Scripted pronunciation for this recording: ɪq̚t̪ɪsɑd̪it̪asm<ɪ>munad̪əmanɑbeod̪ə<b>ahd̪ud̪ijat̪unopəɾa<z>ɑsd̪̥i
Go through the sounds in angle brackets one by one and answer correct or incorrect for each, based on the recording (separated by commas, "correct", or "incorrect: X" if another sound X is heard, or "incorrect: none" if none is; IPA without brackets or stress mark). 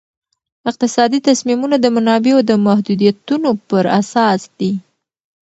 incorrect: i, incorrect: m, incorrect: s